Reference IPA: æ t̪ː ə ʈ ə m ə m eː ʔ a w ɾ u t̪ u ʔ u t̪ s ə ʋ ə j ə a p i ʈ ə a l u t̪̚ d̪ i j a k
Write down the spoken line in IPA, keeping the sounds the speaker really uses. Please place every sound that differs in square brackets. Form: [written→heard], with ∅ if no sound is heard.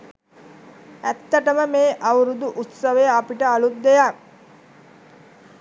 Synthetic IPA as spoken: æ t̪ː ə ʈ ə m ə m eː ʔ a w ɾ u [t̪→d̪] u ʔ u t̪ s ə ʋ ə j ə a p i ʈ ə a l u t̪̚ d̪ [i→e] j a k